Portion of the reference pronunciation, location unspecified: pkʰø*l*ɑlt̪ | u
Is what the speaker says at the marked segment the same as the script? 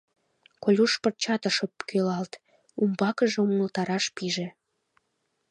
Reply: yes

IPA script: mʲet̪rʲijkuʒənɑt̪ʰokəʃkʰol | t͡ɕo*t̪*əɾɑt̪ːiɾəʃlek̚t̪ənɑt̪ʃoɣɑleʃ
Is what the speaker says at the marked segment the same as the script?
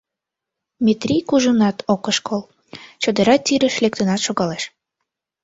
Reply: no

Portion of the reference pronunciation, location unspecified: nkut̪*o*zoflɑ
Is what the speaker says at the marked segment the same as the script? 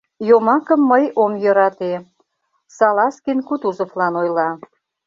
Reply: no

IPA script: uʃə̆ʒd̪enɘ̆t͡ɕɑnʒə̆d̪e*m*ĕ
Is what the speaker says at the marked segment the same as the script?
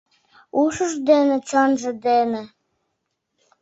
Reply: no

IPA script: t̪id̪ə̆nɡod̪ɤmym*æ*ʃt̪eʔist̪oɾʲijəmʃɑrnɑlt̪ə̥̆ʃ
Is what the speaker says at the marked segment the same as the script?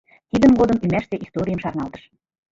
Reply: yes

